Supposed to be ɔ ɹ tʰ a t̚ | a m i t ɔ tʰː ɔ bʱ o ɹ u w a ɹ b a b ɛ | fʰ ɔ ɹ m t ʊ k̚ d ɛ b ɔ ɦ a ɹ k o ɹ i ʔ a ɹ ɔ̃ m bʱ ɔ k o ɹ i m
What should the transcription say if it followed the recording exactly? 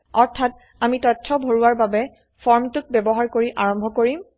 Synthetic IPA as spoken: ɔ ɹ tʰ a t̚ | a m i t ɔ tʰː ɔ bʱ o ɹ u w a ɹ b a b ɛ | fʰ ɔ ɹ m t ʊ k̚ b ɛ b ɔ ɦ a ɹ k o ɹ i ʔ a ɹ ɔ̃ m bʱ ɔ k o ɹ i m